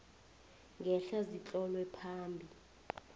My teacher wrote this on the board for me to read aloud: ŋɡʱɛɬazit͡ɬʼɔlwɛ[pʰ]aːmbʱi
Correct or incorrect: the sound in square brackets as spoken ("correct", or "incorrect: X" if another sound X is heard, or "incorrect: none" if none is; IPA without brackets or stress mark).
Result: correct